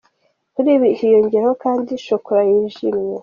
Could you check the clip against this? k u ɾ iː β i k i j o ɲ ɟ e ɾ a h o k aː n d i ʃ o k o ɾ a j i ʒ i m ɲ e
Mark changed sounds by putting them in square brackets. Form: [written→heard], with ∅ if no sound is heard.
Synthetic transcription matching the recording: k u ɾ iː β i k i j o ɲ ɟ e ɾ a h o k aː n d i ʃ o k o ɾ a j i ʒ i m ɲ e